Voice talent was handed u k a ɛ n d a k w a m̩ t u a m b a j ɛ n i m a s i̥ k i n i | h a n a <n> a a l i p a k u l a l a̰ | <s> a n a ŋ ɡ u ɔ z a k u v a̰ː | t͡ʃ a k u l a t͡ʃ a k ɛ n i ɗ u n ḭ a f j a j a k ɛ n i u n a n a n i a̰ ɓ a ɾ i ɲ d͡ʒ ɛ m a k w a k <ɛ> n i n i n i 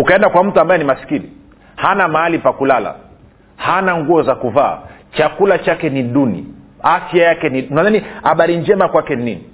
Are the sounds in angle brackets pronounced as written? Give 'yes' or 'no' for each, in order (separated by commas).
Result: no, no, yes